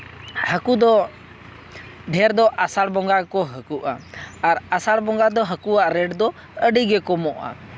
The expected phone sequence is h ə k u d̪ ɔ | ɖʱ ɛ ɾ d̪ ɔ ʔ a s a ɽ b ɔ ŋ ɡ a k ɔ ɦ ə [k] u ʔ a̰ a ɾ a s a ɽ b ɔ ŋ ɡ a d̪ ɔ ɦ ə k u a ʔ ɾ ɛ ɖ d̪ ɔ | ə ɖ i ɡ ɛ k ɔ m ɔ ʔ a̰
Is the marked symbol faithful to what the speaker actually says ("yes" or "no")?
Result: yes